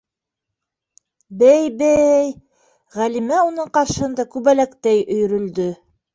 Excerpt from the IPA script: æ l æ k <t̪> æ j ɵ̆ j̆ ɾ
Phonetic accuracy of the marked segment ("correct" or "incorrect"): correct